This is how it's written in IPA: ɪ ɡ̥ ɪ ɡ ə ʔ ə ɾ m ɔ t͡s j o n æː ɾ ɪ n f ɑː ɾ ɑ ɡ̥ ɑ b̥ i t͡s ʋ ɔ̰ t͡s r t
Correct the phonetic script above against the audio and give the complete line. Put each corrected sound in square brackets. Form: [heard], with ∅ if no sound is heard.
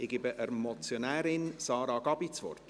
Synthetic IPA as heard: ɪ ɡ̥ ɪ [b] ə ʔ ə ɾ m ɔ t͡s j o n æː ɾ ɪ n [s] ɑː ɾ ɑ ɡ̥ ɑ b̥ i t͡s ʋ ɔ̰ [∅] r t